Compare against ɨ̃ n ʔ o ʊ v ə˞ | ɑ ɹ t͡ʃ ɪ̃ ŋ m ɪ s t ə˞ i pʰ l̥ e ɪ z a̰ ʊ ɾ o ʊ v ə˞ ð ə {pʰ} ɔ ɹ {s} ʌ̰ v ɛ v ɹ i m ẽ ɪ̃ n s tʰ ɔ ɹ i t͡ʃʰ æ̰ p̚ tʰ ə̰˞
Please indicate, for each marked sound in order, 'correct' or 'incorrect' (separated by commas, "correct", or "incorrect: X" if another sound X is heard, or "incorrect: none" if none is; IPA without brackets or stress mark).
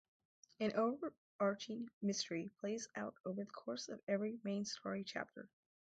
incorrect: kʰ, correct